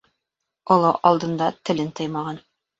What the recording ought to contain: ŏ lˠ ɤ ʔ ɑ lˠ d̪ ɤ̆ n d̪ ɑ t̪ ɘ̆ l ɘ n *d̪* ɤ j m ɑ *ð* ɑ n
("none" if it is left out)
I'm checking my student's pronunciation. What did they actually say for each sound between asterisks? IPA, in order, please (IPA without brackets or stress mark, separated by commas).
t̪, ʁ